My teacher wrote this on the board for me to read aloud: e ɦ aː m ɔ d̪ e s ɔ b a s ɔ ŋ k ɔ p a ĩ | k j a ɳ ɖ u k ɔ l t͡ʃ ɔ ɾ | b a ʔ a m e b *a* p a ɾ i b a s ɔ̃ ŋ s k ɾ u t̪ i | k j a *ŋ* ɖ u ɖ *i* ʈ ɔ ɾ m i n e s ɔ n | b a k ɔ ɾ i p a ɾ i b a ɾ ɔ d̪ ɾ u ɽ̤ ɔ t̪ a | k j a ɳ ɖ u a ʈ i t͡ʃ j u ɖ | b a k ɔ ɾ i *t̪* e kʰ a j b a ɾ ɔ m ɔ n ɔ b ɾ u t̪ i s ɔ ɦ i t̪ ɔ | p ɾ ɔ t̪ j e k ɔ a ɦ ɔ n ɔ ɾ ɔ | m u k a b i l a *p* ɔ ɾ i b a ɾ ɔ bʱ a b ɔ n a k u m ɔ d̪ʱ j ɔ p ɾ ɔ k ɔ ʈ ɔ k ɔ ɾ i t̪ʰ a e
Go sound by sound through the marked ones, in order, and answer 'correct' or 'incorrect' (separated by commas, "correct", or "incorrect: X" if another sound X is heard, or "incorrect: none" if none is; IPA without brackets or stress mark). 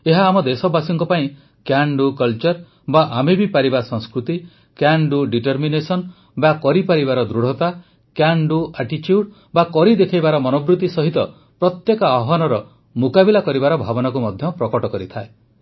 incorrect: i, incorrect: ɳ, correct, incorrect: d̪, incorrect: k